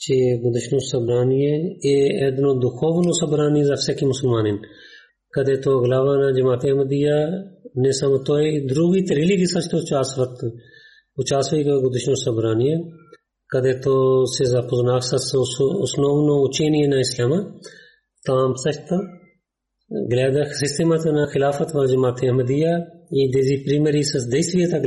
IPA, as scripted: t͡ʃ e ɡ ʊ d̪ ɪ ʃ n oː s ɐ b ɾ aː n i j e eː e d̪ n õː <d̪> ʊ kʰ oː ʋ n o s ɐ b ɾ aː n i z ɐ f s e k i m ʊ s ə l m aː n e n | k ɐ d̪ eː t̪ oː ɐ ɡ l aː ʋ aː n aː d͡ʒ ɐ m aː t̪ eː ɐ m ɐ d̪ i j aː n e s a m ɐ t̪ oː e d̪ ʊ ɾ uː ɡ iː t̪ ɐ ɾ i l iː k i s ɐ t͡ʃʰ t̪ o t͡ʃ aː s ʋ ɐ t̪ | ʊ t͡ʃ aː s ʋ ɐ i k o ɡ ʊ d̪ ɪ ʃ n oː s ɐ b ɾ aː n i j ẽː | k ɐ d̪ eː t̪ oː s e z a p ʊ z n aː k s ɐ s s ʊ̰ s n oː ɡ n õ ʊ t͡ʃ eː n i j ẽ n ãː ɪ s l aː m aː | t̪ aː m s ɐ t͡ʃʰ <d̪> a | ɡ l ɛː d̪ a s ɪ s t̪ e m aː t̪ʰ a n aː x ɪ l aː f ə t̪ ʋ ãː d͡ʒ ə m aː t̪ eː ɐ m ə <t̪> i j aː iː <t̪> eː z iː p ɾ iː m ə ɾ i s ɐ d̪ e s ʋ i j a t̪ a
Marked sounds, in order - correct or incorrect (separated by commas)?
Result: correct, incorrect, incorrect, incorrect